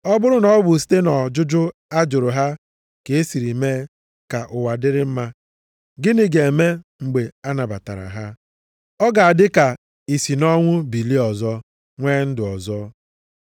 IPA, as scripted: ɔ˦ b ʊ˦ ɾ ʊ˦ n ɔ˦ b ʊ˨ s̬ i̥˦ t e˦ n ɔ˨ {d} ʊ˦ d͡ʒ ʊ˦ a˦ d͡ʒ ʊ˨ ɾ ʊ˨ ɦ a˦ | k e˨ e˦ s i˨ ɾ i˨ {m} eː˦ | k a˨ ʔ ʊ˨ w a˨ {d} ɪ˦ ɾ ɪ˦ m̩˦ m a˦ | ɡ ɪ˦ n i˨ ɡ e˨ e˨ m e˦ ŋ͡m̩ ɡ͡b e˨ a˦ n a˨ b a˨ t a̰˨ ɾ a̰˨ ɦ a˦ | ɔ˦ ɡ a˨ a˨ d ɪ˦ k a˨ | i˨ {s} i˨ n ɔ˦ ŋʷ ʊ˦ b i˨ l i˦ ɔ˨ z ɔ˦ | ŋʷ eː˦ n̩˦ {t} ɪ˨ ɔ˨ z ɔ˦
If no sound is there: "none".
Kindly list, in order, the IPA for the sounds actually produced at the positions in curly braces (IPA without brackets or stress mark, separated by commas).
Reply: d͡ʒ, m, d, s, d